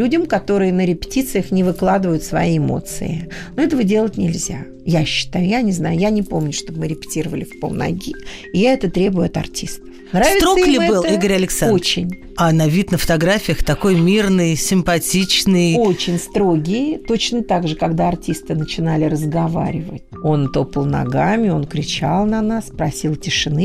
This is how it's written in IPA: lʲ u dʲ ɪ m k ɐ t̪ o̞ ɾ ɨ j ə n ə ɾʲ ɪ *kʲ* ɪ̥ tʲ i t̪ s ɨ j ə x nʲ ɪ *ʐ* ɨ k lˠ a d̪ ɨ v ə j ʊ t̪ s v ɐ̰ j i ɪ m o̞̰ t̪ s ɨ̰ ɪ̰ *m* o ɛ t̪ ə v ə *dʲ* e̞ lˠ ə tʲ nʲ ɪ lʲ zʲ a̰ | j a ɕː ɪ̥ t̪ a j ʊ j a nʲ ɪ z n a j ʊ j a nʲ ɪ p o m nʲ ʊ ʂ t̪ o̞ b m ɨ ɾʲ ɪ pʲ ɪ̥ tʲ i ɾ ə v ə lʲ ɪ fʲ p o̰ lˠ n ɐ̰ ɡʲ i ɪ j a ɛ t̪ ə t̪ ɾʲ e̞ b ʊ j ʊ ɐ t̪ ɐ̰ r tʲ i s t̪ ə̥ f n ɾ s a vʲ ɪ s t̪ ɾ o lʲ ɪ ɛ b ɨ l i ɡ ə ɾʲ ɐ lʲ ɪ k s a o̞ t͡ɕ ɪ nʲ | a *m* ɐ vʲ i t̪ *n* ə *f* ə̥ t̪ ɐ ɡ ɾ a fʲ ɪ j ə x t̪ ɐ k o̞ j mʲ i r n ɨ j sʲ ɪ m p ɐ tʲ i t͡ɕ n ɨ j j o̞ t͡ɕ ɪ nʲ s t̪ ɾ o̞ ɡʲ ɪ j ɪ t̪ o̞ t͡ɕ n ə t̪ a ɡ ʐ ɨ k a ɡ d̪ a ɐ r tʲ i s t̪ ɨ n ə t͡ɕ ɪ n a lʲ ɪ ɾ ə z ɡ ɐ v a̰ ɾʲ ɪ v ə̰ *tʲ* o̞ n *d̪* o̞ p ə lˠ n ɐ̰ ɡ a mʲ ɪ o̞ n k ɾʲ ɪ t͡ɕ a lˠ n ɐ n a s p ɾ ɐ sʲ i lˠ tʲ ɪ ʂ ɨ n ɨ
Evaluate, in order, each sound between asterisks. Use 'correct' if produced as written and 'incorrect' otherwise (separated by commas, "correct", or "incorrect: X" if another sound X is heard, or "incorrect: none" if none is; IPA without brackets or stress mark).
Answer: incorrect: pʲ, incorrect: v, incorrect: n, correct, incorrect: n, correct, correct, correct, incorrect: t̪